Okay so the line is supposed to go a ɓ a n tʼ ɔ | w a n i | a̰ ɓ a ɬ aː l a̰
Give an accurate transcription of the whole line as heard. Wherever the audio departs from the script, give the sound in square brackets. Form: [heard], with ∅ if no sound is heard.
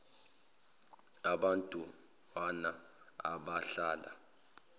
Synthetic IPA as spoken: a ɓ a n tʼ [u] | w a n [a] | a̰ ɓ a ɬ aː l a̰